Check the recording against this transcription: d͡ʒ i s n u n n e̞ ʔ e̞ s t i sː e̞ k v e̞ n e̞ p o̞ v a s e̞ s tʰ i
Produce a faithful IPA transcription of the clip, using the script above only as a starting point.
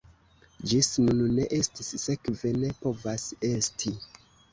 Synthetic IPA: d͡ʒ i s n u n n e̞ ʔ e̞ s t i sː e̞ k v e̞ n e̞ p o̞ v a s e̞ s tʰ i